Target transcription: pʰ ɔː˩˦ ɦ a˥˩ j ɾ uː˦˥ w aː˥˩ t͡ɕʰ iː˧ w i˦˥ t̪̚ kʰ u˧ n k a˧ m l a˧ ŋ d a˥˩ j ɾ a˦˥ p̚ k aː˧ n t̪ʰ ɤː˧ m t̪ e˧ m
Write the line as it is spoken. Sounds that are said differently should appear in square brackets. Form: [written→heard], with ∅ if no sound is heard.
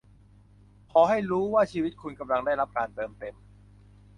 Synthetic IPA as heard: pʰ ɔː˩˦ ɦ a˥˩ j ɾ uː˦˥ w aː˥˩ t͡ɕʰ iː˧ w i˦˥ t̪̚ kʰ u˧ n k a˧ m l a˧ ŋ d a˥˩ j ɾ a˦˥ p̚ k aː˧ n [t̪ʰ→t̪] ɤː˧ m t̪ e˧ m